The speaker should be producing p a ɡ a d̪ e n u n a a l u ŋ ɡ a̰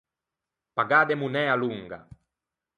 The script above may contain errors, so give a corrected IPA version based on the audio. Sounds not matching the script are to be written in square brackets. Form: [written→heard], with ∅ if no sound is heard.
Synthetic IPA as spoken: p a ɡ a d̪ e [n→m] u n [a→ɛ] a l u ŋ ɡ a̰